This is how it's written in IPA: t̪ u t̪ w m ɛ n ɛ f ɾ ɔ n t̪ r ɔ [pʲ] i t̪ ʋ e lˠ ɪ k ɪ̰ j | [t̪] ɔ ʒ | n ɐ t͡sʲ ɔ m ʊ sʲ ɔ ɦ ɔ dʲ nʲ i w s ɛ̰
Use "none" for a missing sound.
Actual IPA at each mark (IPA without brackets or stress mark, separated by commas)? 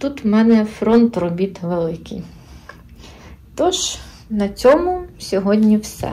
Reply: bʲ, t̪